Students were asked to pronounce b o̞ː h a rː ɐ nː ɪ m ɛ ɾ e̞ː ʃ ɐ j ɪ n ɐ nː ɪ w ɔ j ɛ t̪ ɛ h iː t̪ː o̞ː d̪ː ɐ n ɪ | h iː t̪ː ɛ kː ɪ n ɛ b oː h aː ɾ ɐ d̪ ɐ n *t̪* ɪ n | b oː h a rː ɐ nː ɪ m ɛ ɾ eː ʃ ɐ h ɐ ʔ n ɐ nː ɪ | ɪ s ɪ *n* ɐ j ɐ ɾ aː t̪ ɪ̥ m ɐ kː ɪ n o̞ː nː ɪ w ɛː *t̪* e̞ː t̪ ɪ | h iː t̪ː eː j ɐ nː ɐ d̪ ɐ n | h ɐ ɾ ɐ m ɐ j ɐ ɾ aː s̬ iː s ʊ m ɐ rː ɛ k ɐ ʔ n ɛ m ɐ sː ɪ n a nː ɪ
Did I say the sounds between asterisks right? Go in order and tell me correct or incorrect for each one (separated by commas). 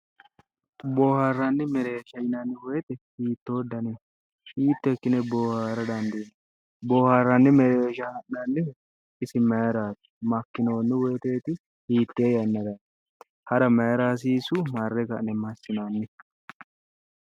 incorrect, incorrect, correct